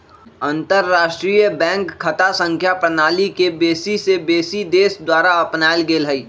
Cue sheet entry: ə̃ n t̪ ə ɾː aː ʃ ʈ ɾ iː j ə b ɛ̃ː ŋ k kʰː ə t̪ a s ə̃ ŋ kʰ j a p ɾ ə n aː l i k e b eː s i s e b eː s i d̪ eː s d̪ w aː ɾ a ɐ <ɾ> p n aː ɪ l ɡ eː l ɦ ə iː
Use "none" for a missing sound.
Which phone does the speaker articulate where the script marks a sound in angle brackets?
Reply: none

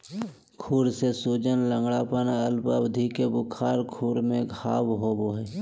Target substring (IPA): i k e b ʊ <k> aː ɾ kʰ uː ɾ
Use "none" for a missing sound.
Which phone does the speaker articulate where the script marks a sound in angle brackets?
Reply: kʰ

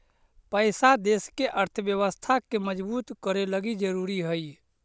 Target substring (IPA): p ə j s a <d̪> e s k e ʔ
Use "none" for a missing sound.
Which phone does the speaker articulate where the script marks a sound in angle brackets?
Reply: d̪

